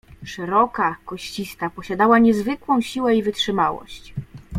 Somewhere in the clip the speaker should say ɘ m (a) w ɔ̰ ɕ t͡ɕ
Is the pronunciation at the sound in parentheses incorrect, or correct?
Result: correct